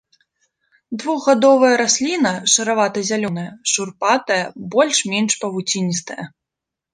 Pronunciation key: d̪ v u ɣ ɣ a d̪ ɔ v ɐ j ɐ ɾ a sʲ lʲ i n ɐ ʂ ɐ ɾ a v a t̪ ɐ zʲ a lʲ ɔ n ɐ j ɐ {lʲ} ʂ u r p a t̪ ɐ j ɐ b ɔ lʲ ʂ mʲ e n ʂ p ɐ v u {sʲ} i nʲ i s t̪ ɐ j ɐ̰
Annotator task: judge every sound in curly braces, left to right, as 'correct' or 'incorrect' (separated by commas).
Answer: incorrect, incorrect